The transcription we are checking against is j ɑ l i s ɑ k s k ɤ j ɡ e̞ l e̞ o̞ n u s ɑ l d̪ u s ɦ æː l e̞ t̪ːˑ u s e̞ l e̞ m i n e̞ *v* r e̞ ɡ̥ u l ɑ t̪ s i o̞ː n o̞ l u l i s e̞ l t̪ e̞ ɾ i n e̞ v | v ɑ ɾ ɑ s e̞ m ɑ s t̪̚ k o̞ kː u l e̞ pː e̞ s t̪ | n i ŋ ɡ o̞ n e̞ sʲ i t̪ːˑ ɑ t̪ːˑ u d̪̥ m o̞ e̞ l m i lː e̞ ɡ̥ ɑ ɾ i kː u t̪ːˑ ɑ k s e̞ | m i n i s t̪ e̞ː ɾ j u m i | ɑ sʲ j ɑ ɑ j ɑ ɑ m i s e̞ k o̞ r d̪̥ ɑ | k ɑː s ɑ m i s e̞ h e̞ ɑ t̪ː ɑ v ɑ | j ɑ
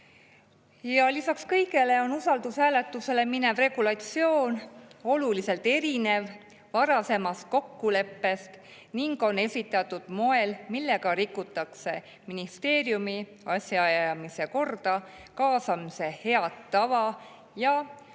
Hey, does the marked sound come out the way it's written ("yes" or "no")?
yes